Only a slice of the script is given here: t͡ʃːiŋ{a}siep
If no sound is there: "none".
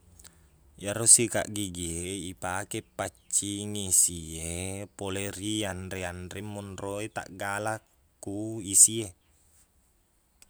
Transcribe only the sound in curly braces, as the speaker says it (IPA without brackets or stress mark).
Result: i